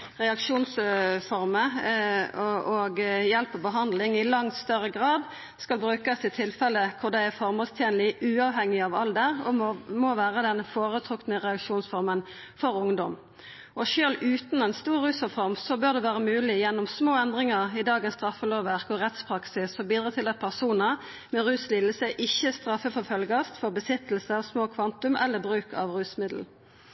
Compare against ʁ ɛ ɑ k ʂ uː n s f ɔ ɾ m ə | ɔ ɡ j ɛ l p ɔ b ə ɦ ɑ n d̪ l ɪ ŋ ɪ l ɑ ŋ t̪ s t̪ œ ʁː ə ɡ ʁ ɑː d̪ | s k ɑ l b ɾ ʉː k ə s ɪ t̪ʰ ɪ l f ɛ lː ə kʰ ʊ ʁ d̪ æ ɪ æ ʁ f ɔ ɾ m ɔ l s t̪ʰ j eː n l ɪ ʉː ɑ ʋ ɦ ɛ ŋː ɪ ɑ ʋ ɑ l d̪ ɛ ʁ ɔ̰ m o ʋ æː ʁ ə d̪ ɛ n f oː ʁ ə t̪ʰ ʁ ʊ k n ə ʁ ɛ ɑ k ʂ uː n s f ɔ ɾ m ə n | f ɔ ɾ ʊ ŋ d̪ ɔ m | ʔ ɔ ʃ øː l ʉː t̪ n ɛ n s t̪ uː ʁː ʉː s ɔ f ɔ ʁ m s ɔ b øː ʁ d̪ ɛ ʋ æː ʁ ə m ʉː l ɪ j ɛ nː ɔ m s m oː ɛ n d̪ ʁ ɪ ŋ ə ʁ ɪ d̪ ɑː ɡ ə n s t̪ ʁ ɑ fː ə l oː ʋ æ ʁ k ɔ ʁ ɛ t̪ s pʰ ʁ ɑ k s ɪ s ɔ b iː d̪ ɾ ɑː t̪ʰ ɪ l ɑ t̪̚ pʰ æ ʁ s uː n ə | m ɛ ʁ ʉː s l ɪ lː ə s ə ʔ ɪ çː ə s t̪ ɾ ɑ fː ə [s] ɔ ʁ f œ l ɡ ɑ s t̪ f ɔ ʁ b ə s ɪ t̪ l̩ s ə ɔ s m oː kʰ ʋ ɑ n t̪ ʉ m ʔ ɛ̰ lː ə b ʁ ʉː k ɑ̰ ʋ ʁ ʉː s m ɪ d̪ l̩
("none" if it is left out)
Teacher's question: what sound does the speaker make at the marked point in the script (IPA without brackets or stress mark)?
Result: f